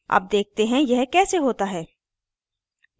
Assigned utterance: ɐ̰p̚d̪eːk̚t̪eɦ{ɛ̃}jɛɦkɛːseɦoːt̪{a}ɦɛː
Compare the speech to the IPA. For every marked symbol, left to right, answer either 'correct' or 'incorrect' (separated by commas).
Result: correct, correct